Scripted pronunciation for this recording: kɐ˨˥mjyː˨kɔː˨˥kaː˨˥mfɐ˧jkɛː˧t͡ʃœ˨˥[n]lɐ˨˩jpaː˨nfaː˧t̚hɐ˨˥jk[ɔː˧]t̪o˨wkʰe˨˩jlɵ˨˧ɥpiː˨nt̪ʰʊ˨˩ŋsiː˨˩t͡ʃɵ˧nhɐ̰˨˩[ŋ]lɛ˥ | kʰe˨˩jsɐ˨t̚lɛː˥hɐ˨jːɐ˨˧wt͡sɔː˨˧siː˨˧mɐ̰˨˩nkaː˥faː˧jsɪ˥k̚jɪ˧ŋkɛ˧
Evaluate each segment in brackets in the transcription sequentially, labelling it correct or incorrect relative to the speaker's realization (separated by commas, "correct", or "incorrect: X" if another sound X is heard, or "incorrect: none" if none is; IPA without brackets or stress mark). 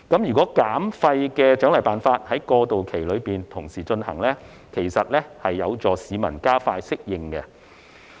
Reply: incorrect: ŋ, correct, correct